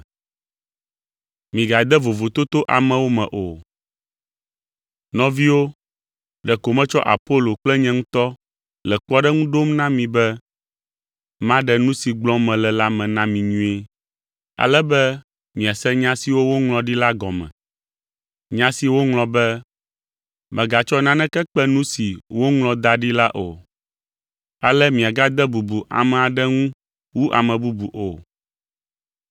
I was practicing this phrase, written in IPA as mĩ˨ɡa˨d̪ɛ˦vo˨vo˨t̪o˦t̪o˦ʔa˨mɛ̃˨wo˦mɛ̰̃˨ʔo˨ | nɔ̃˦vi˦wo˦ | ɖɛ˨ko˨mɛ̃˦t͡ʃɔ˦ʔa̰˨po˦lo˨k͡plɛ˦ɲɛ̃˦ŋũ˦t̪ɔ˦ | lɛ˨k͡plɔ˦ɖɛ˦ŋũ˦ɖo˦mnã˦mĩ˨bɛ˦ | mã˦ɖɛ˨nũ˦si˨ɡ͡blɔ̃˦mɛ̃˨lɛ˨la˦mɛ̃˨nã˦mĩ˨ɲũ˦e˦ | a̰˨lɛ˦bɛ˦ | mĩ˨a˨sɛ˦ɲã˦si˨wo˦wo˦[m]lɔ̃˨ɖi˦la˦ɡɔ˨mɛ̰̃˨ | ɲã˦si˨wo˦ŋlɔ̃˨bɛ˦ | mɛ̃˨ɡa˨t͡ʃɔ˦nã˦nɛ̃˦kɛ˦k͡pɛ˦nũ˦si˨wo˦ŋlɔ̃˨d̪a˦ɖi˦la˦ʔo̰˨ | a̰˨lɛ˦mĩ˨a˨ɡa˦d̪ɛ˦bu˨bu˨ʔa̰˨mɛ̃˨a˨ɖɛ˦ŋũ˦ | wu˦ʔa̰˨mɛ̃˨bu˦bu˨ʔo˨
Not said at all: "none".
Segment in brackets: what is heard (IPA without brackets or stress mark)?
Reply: ŋ